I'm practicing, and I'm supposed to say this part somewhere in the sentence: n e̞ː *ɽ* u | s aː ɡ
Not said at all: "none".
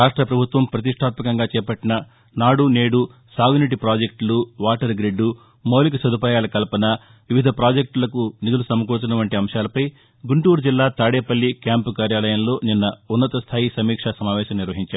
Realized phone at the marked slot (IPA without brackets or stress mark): ɽ